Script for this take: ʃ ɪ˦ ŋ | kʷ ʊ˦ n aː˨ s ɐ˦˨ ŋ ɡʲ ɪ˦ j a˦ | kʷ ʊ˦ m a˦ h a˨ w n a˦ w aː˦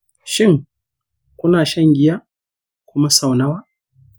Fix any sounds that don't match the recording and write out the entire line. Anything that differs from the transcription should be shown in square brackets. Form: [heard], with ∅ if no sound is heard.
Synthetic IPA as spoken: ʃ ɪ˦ ŋ | kʷ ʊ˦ n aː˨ [ʃ] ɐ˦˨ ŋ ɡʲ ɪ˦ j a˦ | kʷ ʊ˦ m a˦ [s] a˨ w n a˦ w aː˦